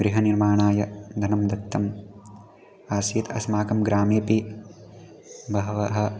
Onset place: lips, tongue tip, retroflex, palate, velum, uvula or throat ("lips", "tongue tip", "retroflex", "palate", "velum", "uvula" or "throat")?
velum